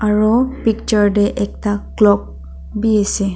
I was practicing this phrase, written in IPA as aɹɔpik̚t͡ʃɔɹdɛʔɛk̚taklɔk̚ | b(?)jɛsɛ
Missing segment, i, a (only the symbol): i